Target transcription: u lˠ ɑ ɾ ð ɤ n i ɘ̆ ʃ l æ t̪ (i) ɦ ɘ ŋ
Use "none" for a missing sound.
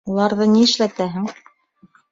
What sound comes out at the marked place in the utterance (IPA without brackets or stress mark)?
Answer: æ